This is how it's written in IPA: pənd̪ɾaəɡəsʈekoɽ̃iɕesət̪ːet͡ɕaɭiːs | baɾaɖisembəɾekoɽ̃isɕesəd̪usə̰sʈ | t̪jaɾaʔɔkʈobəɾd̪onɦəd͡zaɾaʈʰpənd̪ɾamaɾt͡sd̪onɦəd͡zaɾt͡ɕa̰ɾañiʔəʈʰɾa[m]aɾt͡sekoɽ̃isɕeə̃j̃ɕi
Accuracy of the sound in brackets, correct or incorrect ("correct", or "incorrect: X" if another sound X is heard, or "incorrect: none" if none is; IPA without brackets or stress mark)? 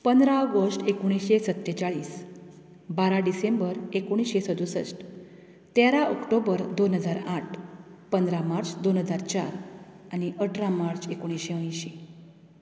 correct